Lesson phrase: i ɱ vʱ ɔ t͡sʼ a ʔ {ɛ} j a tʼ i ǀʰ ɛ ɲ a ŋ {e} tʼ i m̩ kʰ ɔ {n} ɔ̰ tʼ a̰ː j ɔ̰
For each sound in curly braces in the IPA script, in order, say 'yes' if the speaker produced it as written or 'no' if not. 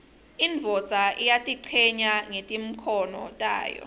no, yes, yes

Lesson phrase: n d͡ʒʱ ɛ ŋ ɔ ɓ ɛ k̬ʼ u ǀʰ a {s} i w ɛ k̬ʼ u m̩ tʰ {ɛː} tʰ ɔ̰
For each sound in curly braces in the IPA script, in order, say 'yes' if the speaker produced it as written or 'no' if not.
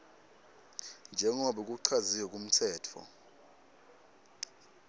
no, yes

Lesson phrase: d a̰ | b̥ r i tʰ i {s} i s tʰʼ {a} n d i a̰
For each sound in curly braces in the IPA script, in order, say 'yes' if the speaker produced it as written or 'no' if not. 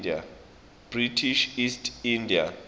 no, no

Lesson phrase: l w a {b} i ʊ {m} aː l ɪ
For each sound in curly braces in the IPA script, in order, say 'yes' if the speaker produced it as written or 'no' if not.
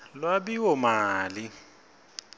yes, yes

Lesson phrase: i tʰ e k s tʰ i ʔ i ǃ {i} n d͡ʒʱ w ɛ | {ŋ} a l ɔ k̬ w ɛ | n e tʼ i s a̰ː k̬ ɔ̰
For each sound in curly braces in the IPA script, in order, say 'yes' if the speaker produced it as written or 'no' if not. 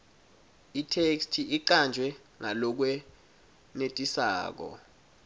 no, yes

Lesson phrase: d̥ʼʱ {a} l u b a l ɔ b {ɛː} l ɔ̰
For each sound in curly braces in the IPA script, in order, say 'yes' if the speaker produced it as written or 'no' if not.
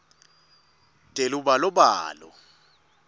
no, no

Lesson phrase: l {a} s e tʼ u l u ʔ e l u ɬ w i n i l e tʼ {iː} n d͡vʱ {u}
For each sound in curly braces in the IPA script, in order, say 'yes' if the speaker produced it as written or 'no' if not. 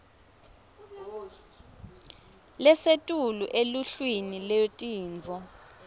no, yes, no

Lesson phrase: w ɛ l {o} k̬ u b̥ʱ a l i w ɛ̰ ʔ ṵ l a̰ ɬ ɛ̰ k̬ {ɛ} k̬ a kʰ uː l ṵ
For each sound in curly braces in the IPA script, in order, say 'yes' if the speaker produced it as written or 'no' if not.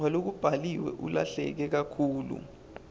yes, yes

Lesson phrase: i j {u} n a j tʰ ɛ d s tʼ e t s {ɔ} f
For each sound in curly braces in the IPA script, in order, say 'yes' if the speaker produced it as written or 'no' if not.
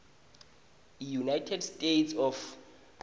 yes, yes

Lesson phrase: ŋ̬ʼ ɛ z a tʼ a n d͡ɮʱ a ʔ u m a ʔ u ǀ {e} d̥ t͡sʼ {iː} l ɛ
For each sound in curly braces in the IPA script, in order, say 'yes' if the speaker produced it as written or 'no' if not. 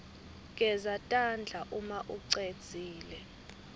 yes, yes

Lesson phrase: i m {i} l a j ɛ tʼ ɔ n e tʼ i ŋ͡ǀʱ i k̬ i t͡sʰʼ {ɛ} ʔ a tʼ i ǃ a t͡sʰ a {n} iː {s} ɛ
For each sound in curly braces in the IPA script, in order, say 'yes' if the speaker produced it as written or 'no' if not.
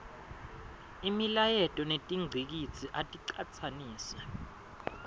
yes, no, yes, yes

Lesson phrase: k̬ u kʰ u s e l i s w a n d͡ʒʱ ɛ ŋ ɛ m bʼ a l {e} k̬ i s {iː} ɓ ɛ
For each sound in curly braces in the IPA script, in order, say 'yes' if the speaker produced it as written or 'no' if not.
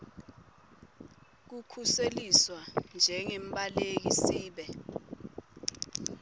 yes, yes

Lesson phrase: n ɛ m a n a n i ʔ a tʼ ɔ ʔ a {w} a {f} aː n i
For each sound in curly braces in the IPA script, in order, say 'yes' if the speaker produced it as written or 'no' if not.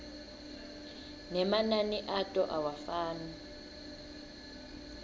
yes, yes

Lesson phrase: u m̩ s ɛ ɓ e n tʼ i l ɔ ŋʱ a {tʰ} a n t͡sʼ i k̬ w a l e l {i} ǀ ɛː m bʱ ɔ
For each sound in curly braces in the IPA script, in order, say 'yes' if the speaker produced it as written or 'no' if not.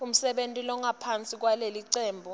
no, yes

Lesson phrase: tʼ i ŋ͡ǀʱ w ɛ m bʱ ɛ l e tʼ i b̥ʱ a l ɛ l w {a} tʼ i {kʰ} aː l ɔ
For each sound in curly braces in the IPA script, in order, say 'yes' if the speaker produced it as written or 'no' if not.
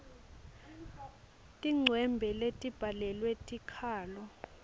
no, yes

